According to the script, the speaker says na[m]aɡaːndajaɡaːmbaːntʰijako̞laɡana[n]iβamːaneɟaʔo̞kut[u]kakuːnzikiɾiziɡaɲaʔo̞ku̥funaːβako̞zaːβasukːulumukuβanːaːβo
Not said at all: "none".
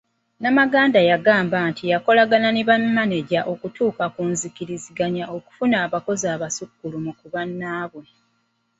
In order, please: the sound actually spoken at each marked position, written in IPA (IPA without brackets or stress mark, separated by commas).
m, n, uː